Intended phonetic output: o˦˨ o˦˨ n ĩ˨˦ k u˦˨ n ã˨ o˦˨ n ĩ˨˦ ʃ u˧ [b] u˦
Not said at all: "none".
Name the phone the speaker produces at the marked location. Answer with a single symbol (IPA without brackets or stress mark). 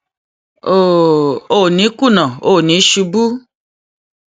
b